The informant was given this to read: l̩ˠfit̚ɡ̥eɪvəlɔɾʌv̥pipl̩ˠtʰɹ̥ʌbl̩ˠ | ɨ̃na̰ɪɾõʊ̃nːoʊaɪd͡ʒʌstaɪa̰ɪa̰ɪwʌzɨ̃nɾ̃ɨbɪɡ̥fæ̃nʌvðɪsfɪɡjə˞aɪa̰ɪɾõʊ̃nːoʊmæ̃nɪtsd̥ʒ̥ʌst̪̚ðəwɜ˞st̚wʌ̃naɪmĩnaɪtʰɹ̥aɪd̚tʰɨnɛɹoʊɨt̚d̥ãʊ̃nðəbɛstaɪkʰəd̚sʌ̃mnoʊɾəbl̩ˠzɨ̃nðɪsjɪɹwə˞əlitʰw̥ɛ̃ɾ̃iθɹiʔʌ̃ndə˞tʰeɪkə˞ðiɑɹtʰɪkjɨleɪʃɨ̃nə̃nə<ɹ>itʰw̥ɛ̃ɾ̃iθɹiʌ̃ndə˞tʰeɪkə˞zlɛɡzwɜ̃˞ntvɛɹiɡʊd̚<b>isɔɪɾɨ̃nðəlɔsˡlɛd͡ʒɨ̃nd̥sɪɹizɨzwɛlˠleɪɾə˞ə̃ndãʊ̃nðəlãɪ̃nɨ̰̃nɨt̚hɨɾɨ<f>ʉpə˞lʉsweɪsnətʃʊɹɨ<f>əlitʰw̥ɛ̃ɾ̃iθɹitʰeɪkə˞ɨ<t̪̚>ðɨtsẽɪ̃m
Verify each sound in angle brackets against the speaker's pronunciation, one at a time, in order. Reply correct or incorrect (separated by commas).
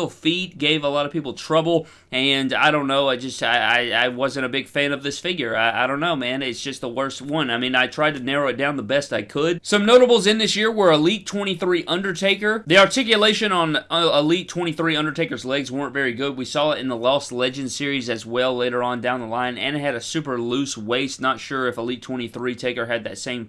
incorrect, incorrect, incorrect, correct, incorrect